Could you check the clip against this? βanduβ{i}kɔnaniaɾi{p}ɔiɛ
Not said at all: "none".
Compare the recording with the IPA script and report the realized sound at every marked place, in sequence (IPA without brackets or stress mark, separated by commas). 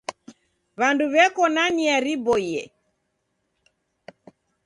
ɛ, b